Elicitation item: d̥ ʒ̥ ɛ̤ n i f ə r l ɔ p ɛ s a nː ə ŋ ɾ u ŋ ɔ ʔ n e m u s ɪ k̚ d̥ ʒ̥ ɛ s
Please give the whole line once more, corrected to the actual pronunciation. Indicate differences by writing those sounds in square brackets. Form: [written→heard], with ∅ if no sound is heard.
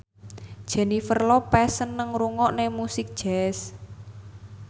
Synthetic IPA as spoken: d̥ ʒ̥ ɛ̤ n i f ə r l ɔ p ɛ s [a→ə] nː ə ŋ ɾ u ŋ ɔ ʔ n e m u s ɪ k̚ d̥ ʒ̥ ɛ s